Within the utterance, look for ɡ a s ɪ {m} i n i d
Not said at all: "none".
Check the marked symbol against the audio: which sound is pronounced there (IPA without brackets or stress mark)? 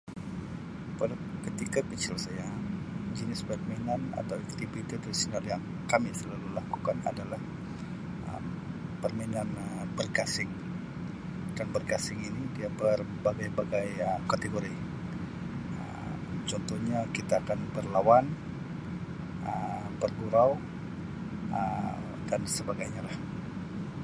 ŋ